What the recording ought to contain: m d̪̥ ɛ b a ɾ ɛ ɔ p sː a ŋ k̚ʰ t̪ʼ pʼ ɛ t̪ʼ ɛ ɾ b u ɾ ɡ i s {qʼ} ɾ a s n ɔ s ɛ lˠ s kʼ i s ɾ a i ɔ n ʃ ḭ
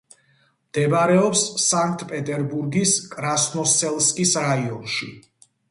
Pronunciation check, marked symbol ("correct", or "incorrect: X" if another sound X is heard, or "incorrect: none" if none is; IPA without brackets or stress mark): incorrect: kʼ